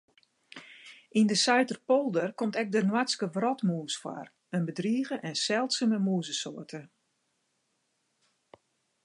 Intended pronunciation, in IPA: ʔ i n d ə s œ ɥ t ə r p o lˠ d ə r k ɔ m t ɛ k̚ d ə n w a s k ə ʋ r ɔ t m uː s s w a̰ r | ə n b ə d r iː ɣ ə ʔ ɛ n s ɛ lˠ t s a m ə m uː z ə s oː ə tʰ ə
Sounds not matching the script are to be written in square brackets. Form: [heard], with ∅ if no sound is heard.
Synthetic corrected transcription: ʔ i n d ə s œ ɥ t ə r p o lˠ d ə r k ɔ m t ɛ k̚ d ə n w a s k ə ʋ r ɔ t m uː s [f] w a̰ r | ə n b ə d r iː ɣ ə ʔ ɛ n s ɛ lˠ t s [ə] m ə m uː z ə s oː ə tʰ ə